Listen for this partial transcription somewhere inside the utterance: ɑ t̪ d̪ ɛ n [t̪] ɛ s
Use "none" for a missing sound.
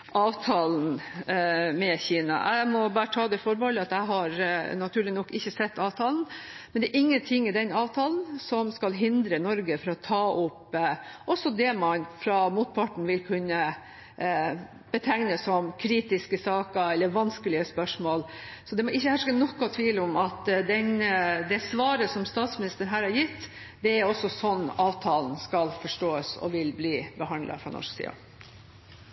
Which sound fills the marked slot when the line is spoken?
d̪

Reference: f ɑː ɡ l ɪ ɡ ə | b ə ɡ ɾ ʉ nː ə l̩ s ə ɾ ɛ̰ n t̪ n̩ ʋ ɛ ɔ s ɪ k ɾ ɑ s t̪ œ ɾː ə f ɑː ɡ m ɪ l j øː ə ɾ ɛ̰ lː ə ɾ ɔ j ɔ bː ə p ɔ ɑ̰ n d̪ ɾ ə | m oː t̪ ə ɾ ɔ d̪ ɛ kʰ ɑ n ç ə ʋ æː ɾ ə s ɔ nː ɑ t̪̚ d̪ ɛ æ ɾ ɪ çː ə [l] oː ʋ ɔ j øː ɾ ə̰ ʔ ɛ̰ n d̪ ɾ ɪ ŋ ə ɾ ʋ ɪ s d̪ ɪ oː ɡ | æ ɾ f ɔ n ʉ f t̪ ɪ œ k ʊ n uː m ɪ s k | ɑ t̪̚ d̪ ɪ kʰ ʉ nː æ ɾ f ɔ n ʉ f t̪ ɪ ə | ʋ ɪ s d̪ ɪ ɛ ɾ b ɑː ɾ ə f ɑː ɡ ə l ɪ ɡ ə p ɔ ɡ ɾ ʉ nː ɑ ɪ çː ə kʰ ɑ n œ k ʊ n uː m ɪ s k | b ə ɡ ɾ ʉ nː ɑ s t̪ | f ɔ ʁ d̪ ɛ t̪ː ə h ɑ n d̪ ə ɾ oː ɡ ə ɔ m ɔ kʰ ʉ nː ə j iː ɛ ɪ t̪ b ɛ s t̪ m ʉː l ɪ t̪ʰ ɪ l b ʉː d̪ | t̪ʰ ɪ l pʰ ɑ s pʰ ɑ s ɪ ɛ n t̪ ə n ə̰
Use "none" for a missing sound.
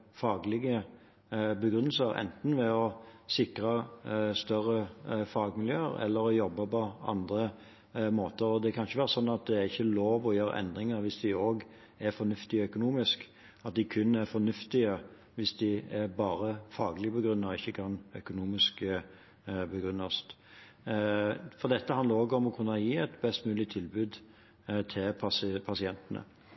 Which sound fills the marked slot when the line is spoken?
l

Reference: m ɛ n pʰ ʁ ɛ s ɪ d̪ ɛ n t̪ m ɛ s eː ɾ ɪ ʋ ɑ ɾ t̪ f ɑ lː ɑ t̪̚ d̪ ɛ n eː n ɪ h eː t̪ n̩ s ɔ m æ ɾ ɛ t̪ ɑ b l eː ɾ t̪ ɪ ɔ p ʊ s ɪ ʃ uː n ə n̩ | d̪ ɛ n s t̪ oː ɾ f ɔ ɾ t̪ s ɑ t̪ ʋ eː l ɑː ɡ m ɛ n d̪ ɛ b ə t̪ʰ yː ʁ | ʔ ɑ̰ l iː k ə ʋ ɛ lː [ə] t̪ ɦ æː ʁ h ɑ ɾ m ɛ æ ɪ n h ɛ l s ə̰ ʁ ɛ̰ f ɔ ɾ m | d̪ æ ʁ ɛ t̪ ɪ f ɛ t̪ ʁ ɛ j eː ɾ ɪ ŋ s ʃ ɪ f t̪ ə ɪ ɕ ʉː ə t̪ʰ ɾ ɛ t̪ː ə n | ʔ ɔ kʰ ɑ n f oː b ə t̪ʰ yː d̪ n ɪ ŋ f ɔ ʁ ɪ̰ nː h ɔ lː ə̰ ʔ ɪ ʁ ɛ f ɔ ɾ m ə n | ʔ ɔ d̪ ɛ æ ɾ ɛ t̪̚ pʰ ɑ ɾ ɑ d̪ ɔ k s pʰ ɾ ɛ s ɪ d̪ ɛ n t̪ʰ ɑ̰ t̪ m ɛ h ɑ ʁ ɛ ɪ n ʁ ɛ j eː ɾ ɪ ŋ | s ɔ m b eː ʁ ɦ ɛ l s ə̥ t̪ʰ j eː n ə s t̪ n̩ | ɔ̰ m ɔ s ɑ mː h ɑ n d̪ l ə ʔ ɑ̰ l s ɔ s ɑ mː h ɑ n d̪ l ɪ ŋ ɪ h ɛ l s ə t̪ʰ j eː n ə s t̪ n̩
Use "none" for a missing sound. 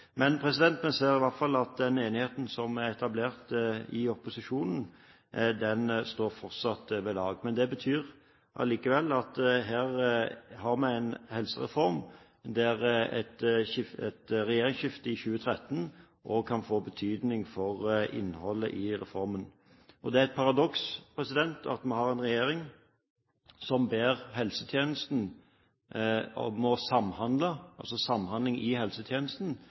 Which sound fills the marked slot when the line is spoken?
ɑ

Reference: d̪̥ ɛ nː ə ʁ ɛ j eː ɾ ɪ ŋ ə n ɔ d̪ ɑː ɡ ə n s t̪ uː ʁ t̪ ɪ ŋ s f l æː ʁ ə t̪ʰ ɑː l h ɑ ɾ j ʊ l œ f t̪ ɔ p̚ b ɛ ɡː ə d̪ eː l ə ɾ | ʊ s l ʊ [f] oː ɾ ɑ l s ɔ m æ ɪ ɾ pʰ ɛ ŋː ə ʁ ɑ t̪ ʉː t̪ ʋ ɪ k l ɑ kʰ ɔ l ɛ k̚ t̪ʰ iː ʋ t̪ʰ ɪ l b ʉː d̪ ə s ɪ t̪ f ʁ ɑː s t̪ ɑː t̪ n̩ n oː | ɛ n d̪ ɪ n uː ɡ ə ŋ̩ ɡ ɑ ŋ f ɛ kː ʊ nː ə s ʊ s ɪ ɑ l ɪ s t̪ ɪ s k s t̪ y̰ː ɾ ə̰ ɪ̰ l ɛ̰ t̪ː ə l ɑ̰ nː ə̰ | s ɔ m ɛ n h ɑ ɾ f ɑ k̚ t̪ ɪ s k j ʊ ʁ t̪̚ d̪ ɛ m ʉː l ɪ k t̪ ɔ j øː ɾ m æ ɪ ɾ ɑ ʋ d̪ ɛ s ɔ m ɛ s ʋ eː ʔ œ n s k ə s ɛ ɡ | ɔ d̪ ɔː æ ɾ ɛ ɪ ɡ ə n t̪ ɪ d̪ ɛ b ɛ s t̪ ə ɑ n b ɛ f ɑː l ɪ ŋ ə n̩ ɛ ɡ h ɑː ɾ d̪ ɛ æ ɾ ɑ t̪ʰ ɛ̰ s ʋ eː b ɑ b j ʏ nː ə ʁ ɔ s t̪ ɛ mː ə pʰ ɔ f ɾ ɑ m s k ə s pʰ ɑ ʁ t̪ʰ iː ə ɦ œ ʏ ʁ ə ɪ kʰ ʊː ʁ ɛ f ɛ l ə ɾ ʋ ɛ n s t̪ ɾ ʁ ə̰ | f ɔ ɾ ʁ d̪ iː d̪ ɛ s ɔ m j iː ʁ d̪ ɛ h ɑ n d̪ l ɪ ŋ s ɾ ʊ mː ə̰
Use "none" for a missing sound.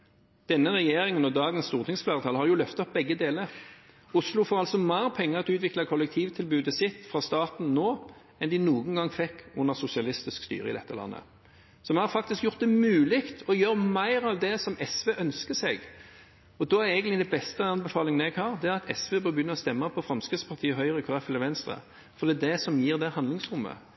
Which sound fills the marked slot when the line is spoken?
f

